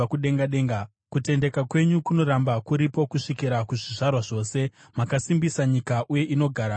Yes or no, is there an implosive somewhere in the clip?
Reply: yes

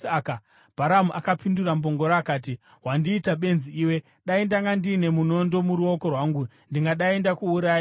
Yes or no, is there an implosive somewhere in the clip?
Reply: yes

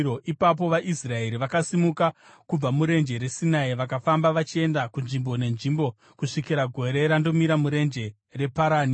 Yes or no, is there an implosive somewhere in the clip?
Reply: no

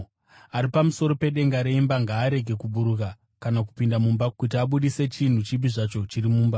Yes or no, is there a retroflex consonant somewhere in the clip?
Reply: yes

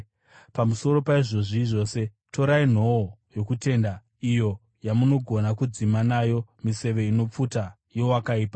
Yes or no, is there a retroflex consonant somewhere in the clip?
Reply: yes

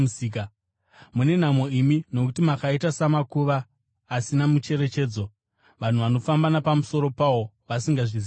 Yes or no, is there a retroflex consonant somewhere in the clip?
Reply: yes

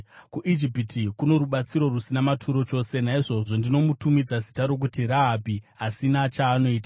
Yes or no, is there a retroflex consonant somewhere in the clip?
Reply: yes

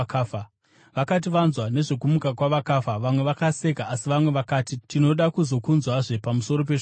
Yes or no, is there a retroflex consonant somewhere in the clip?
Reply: yes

